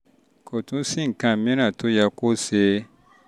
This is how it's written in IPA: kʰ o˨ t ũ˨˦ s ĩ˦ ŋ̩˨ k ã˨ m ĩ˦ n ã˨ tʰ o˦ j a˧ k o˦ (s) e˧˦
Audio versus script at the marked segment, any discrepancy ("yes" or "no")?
no